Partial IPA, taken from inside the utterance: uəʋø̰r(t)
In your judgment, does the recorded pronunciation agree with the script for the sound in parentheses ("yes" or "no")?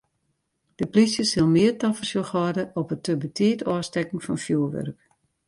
no